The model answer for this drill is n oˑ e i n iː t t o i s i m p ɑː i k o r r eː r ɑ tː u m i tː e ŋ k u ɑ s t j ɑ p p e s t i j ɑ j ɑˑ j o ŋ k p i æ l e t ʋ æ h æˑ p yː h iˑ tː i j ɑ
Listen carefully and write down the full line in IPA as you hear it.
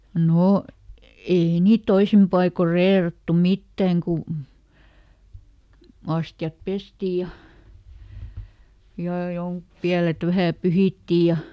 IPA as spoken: n oˑ e i n iː t t o i s i m p ɑ i k o r r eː r ɑ tː u m i tː æ ŋ k u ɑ s t j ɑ p p e s t i j ɑ j ɑˑ j o ŋ k p i æ l e t ʋ æ h æˑ p y h iˑ tː i j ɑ